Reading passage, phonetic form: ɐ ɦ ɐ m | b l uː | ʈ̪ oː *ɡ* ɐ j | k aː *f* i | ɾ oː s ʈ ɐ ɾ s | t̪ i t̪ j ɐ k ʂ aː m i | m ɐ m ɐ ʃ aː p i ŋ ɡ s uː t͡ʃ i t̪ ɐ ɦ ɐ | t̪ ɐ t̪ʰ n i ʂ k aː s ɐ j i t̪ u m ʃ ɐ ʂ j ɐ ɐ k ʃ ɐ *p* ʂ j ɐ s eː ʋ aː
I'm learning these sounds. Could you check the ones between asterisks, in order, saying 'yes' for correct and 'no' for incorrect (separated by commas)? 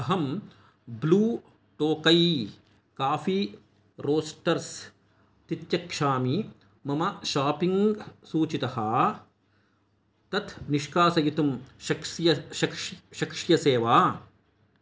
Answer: no, yes, no